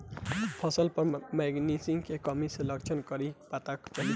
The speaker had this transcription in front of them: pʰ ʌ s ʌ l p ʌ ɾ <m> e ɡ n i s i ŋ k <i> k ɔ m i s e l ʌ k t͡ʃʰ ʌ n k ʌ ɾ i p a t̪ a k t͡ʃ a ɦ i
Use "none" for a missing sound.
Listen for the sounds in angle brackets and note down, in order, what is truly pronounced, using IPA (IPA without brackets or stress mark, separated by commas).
m, e